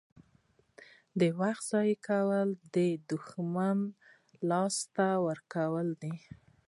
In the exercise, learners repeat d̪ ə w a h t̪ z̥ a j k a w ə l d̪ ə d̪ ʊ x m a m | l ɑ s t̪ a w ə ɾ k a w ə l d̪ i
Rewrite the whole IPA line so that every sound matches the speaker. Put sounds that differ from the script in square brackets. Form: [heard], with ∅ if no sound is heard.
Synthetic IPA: d̪ ə w a [x] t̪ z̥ [ɑ] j k a w ə l d̪ ə d̪ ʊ x m a [n] | l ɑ s t̪ a w ə ɾ k a w ə l d̪ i